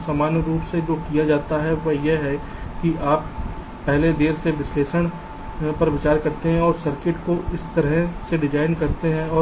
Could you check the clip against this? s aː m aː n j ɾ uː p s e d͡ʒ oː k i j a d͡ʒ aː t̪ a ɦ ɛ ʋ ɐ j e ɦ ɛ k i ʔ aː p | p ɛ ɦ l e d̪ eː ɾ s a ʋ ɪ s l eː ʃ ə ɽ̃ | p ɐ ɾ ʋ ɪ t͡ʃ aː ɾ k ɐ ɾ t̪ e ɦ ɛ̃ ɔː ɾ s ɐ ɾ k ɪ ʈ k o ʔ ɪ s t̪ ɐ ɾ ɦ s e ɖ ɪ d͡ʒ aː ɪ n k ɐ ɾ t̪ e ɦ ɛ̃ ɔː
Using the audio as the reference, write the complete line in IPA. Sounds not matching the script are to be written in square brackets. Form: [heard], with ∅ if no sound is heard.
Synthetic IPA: s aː m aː n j ɾ uː p s e d͡ʒ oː k i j a d͡ʒ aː t̪ a ɦ ɛ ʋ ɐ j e ɦ ɛ k i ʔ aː p | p ɛ ɦ l e d̪ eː ɾ s [e] ʋ ɪ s l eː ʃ ə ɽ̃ | p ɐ ɾ ʋ ɪ t͡ʃ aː ɾ k ɐ ɾ t̪ e ɦ ɛ̃ ɔː ɾ s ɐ ɾ k ɪ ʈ k o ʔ ɪ s t̪ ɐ ɾ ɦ s e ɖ ɪ d͡ʒ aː ɪ n k ɐ ɾ t̪ e ɦ ɛ̃ ɔː